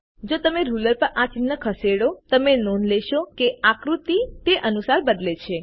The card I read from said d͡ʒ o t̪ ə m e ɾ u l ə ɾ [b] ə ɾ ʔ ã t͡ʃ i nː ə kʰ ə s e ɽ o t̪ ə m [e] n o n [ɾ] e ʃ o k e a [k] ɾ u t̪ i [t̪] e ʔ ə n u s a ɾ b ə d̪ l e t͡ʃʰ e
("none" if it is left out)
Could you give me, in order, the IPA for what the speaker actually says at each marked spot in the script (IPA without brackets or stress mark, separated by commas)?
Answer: p, e, l, k, t̪